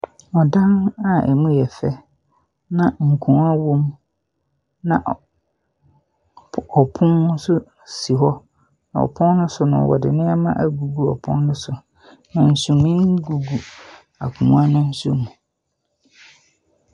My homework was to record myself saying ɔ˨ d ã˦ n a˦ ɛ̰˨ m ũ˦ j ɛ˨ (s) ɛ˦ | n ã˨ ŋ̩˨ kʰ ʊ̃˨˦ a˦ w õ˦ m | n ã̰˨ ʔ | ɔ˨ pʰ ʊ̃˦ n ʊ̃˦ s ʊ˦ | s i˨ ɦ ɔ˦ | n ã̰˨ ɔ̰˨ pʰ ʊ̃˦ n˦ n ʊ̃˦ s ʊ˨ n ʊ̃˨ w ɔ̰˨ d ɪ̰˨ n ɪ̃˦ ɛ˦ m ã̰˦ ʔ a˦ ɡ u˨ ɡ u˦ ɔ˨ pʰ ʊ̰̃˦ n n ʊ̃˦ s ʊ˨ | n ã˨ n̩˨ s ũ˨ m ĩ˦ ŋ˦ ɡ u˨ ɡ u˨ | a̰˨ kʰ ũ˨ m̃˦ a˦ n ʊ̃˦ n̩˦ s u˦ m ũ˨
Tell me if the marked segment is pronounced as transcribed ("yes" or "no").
no